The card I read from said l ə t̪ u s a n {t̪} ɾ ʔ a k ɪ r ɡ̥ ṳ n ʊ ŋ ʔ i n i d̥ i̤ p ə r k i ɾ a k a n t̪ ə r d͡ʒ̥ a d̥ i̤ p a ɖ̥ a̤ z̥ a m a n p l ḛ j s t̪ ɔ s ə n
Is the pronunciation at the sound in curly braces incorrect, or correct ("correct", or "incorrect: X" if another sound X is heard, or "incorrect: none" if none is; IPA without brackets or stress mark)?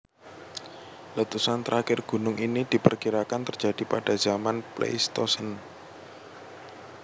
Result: correct